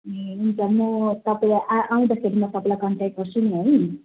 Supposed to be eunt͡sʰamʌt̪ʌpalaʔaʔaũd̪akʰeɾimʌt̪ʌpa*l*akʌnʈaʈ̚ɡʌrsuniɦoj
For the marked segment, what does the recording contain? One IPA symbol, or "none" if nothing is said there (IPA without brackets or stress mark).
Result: l